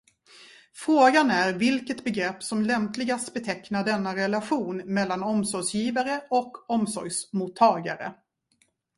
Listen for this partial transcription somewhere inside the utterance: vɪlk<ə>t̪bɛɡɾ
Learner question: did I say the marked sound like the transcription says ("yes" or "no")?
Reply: yes